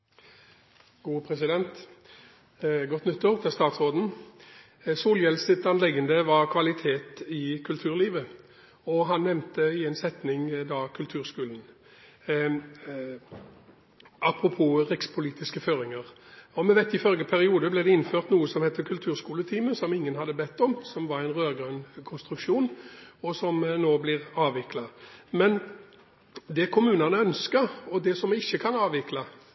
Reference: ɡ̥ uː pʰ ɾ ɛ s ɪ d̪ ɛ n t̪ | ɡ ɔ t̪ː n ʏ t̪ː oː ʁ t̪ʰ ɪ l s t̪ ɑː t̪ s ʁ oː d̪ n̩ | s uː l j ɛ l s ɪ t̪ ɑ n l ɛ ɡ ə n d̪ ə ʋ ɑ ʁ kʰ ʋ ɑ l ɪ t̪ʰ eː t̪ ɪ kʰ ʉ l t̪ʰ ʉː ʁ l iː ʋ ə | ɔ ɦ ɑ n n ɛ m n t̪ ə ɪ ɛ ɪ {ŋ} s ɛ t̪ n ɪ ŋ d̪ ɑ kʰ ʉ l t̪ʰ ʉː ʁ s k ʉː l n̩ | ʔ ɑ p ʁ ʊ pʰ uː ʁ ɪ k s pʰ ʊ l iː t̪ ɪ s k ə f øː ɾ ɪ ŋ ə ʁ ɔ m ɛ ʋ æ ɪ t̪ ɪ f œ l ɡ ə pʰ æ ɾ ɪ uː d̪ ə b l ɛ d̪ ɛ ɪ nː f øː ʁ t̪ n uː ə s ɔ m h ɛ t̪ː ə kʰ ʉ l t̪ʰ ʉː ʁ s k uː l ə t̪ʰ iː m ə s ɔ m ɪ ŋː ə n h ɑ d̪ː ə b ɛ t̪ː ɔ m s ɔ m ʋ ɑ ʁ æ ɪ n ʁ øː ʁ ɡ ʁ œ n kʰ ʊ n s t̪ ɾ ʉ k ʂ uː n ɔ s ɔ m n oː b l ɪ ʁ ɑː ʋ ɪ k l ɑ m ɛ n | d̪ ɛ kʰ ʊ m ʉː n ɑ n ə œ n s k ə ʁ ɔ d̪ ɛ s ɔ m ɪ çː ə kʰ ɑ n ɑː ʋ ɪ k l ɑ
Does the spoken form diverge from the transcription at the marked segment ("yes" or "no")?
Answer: yes